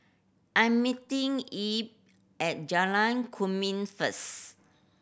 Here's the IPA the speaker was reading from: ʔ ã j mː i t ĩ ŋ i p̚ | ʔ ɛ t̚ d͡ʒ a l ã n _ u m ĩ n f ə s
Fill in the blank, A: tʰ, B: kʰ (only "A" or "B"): B